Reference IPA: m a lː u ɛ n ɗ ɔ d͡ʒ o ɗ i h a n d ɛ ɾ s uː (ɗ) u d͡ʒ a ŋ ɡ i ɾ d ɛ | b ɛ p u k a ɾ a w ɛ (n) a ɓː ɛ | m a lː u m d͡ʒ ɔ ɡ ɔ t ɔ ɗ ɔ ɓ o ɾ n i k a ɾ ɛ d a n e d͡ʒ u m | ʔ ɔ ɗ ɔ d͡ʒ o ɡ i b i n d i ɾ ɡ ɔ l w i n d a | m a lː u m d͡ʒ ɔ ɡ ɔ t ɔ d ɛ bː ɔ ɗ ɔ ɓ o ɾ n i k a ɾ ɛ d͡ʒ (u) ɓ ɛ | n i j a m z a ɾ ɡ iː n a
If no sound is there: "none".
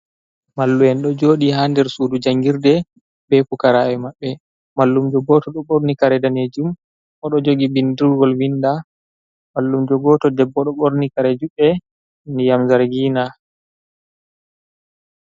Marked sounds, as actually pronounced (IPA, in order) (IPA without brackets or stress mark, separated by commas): d, m, u